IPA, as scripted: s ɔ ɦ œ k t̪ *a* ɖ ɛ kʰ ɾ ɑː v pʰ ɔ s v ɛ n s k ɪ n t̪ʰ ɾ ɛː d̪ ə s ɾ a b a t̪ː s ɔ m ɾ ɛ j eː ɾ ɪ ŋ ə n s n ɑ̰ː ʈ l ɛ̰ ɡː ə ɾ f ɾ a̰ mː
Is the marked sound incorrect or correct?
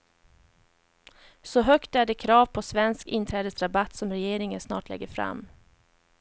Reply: incorrect: æ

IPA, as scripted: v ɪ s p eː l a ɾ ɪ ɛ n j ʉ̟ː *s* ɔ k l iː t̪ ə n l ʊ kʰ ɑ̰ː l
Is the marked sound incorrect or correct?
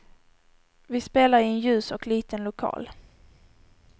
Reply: correct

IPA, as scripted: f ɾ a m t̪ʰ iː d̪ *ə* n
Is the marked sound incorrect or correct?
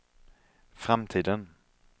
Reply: correct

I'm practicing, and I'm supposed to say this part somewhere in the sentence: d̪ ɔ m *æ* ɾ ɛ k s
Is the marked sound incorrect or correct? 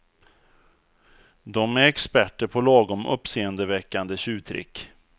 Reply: correct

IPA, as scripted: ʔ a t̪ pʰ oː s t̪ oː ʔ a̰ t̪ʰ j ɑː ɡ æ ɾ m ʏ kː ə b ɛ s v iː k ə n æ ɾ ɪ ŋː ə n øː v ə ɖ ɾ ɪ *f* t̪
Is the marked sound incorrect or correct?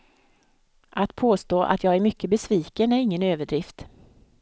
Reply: correct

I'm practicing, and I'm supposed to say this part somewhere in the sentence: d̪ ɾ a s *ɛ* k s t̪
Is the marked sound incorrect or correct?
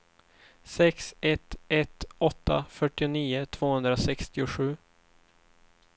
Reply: correct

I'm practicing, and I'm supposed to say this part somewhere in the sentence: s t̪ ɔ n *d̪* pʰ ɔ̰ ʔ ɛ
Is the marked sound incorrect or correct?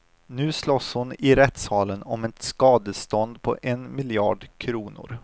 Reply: correct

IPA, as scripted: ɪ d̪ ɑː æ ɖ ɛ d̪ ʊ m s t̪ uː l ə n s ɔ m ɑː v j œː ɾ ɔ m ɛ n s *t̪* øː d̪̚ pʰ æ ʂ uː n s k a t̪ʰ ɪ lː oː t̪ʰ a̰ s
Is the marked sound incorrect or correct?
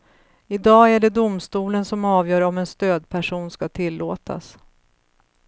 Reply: correct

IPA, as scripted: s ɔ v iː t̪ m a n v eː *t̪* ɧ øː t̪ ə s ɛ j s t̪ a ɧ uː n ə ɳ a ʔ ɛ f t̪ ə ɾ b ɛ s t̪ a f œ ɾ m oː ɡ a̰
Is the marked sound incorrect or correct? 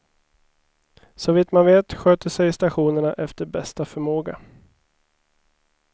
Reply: correct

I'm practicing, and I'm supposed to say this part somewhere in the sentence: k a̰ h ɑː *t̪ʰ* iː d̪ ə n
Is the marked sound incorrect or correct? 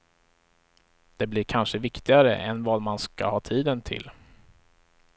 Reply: correct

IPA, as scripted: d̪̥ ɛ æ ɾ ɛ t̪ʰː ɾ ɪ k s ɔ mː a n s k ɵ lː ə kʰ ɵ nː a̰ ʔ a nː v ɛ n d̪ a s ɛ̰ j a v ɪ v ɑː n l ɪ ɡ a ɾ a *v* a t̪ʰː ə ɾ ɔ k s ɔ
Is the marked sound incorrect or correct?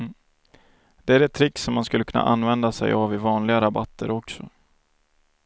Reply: incorrect: b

